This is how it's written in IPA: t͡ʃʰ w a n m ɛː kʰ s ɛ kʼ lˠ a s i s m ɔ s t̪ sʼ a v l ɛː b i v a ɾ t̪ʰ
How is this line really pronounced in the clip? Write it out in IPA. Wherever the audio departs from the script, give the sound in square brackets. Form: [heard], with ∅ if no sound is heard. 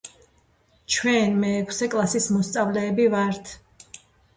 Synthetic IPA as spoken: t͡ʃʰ w [ɛ] n m ɛː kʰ s ɛ kʼ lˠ a s i s m ɔ s t̪ sʼ a v l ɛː b i v a ɾ t̪ʰ